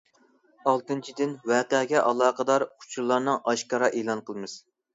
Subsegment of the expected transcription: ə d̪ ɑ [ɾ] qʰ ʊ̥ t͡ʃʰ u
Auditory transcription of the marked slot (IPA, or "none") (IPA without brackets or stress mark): ɾ